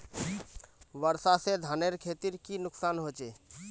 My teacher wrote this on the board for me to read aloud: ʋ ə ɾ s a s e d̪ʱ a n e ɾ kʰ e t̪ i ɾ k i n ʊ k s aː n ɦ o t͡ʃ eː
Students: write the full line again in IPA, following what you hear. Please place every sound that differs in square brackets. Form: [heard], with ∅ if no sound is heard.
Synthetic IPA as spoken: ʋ ə ɾ s a s e d̪ʱ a n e ɾ kʰ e t̪ i ɾ k i n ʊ k s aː n ɦ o t͡ʃ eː